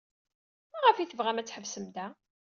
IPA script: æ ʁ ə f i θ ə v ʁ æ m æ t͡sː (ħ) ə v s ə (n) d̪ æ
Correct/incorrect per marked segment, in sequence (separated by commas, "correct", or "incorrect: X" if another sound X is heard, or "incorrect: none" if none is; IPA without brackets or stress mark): correct, incorrect: m